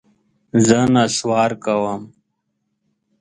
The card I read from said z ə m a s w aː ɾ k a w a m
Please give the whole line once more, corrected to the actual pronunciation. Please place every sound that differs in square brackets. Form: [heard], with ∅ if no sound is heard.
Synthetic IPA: z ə [n] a s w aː ɾ k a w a m